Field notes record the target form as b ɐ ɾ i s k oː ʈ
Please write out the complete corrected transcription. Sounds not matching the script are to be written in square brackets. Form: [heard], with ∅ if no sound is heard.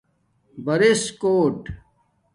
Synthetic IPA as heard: b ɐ ɾ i s k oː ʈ